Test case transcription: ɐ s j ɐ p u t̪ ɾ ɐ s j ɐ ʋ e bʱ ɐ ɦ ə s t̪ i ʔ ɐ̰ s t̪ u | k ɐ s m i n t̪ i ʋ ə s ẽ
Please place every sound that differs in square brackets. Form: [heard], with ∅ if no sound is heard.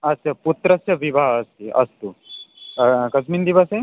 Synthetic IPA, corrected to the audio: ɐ s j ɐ p u t̪ ɾ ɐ s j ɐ ʋ [i] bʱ [a] ɦ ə s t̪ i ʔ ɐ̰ s t̪ u | k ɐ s m i n [d̪] i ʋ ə s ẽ